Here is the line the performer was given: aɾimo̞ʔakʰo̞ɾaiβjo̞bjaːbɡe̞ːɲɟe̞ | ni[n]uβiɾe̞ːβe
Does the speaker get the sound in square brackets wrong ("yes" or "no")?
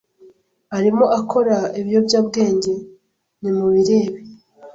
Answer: yes